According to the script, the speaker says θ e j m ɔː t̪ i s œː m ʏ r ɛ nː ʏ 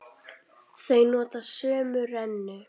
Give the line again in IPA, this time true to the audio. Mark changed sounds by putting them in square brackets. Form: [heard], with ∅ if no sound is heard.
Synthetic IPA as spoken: θ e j [n] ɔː t̪ [a] s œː m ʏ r ɛ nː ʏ